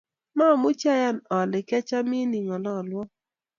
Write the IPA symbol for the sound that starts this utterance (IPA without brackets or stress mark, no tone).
m